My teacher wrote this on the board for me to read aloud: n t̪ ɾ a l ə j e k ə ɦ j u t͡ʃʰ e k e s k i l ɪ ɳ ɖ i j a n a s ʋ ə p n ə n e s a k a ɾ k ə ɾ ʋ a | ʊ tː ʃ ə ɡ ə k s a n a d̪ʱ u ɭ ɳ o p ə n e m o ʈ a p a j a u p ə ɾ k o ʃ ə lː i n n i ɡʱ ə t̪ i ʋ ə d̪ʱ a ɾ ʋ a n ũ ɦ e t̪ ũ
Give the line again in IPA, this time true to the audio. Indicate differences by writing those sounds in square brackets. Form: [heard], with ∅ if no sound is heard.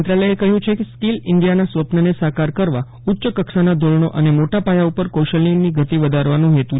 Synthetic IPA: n t̪ ɾ a l ə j e k ə ɦ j [ũ] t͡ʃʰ e k e s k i l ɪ ɳ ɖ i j a n a s ʋ ə p n ə n e s a k a ɾ k ə ɾ ʋ a | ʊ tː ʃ ə [k] ə k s a n a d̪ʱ [o] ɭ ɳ o [ʔ] ə n e m o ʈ a p a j a u p ə ɾ k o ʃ ə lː i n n i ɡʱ ə t̪ i ʋ ə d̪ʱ a ɾ ʋ a n ũ ɦ e t̪ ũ

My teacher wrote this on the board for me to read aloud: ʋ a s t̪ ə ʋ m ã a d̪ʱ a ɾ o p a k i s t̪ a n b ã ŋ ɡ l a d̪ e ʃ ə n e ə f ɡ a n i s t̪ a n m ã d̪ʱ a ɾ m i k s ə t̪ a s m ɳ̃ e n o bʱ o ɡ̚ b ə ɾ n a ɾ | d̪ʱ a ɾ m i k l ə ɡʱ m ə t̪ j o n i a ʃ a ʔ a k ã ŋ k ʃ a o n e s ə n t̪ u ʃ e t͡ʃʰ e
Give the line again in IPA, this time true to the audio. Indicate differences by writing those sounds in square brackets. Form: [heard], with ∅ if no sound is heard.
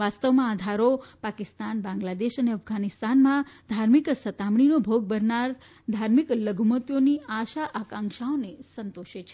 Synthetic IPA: ʋ a s t̪ ə ʋ m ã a d̪ʱ a ɾ o p a k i s t̪ a n b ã ŋ ɡ l a d̪ e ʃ ə n e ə f ɡ a n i s t̪ a n m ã d̪ʱ a ɾ m i k s ə t̪ a [∅] m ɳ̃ [i] n o bʱ o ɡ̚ b ə ɾ n a ɾ | d̪ʱ a ɾ m i k l ə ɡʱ m ə t̪ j o n i a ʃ a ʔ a k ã ŋ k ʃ a o n e s ə n t̪ [o] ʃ e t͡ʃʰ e

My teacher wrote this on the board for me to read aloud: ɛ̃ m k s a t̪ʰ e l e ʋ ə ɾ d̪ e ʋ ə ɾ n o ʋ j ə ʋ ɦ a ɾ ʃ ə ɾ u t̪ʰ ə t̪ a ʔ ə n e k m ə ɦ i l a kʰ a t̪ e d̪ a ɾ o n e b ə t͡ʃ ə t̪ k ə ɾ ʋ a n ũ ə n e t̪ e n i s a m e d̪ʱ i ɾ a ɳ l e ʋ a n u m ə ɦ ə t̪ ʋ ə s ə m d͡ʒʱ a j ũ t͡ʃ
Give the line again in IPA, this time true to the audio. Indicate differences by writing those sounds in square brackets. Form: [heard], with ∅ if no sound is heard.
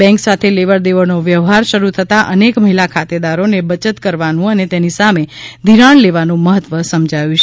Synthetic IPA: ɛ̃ [ŋ] k s a t̪ʰ e l e ʋ ə ɾ d̪ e ʋ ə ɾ n o ʋ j ə ʋ ɦ a ɾ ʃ ə ɾ u t̪ʰ ə t̪ a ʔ ə n e k m ə ɦ i l a kʰ a t̪ e d̪ a ɾ o n e b ə t͡ʃ ə t̪ k ə ɾ ʋ a n ũ ə n e t̪ e n i s a m e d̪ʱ i ɾ a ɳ l e ʋ a n [ũ] m ə ɦ ə t̪ ʋ ə s ə m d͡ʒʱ a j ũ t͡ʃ

